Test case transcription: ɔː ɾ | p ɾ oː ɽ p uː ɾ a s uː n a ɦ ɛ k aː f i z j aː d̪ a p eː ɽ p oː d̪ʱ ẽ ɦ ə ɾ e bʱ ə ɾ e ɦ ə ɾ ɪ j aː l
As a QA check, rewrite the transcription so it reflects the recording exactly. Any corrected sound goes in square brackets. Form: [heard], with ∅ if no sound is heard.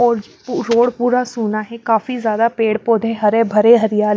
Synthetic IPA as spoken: ɔː ɾ | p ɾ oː ɽ p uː ɾ a s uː n a ɦ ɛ k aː f i z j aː d̪ a p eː ɽ p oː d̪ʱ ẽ ɦ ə ɾ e bʱ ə ɾ e ɦ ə ɾ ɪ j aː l